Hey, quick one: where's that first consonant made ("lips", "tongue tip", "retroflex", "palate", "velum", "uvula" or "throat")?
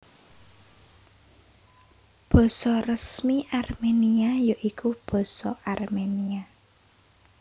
lips